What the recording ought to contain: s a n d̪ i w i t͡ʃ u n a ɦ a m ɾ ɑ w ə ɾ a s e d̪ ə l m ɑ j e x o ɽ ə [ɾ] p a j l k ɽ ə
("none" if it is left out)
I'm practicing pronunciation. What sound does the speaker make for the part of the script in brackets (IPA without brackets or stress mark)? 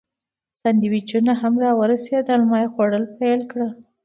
l